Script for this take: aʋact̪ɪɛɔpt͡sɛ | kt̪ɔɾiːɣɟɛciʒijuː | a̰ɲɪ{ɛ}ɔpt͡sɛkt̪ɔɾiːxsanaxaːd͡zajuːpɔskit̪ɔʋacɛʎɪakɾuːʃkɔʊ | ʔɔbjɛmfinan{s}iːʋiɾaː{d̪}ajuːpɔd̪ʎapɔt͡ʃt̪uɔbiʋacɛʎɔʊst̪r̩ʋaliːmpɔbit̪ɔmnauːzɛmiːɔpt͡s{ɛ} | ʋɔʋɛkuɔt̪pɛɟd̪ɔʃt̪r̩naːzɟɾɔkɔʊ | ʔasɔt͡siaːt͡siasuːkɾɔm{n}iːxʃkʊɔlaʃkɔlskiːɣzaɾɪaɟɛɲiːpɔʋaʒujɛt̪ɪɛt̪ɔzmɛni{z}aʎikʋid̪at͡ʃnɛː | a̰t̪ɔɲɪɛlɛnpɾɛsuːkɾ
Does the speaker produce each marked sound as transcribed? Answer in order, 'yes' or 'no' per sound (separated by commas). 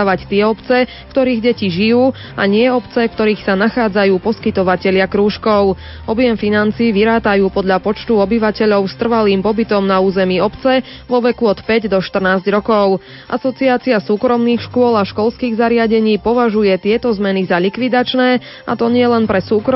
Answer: yes, no, no, yes, yes, yes